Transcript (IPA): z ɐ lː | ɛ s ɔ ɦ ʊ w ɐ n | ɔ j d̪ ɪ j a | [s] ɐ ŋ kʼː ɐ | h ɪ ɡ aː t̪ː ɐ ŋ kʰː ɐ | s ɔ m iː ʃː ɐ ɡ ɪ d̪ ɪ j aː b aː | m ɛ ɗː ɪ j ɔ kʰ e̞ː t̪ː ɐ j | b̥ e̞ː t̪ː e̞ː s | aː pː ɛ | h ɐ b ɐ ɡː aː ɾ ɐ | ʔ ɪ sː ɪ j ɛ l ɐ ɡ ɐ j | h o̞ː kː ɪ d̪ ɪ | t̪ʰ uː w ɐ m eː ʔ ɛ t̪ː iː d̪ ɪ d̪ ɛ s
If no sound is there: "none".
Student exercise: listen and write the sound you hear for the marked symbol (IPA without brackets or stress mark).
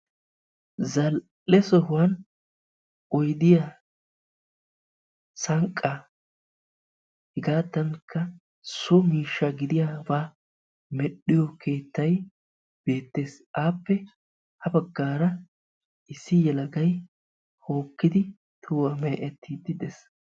s